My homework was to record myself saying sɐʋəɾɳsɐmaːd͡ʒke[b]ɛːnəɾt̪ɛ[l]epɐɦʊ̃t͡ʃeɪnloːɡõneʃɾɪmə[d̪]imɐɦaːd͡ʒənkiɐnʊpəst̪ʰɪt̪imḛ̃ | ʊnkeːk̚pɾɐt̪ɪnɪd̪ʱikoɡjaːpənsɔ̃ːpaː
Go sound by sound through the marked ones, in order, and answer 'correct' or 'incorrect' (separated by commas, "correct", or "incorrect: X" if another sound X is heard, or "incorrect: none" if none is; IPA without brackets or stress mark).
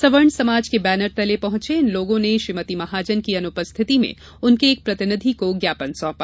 correct, correct, incorrect: t̪